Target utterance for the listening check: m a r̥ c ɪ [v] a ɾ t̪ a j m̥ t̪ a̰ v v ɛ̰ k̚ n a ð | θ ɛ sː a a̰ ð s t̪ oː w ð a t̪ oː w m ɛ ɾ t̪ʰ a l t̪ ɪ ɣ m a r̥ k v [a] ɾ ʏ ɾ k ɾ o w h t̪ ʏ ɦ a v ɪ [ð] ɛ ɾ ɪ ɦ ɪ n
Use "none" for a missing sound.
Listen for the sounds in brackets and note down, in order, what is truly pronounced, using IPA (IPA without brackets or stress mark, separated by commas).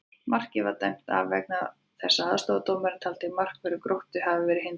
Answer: v, ɛ, v